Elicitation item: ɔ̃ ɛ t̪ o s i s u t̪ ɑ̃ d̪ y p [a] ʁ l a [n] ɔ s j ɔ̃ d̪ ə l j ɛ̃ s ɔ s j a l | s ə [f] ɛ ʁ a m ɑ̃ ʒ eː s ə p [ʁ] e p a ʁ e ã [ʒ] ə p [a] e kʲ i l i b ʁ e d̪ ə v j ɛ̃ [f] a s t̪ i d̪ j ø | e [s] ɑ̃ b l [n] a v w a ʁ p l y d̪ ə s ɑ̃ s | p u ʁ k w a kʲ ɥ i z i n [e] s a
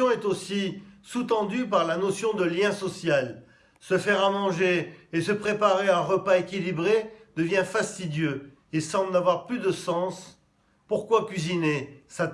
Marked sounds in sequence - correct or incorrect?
correct, correct, correct, incorrect, incorrect, correct, correct, correct, correct, correct

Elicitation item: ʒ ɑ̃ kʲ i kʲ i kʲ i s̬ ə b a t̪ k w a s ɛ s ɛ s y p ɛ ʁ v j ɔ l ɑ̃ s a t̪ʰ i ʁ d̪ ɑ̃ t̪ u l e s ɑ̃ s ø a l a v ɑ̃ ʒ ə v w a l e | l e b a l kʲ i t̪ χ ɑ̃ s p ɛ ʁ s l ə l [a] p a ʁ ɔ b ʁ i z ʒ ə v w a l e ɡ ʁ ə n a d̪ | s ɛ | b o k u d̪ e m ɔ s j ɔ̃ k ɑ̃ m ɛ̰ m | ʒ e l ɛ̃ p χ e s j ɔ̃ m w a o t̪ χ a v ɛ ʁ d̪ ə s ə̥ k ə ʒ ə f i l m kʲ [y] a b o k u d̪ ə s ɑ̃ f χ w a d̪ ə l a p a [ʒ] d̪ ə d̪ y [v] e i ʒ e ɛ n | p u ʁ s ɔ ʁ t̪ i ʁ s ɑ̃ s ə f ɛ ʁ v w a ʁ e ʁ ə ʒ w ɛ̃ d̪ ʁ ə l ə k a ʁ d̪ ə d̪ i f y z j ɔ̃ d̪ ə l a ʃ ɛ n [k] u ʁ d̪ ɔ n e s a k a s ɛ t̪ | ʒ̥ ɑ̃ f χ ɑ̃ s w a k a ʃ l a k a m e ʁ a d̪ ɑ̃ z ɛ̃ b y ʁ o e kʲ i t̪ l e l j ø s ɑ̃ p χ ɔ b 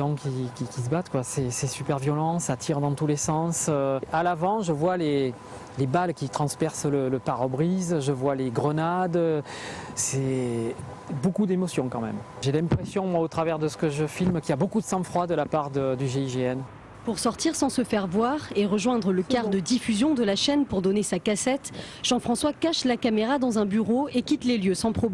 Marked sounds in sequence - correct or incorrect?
incorrect, incorrect, incorrect, incorrect, incorrect

